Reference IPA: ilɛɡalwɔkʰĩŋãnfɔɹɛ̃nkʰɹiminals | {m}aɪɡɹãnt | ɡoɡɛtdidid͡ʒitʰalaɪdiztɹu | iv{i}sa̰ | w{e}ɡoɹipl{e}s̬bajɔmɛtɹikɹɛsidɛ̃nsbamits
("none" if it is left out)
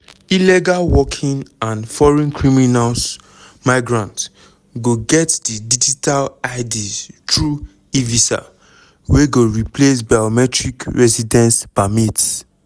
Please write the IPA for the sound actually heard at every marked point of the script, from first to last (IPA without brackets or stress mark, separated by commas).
m, i, e, e